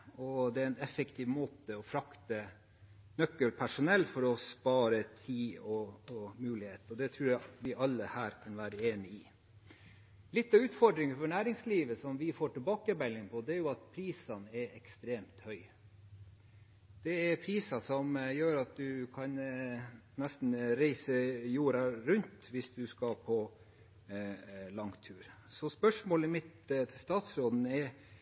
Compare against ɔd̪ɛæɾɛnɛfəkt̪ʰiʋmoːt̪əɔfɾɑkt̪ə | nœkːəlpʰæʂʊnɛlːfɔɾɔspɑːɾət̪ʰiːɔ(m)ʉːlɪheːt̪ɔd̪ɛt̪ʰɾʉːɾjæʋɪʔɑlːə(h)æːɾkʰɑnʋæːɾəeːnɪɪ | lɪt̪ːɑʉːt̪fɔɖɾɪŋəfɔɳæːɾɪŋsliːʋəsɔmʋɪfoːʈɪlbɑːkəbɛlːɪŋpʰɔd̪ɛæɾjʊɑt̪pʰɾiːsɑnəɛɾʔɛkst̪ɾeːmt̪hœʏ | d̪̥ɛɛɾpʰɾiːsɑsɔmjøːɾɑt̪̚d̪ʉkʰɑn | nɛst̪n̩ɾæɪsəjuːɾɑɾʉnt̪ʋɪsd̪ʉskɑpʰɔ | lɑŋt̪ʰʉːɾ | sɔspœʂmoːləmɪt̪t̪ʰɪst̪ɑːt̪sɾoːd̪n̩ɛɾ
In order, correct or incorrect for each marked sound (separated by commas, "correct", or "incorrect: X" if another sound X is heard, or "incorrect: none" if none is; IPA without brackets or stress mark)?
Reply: correct, correct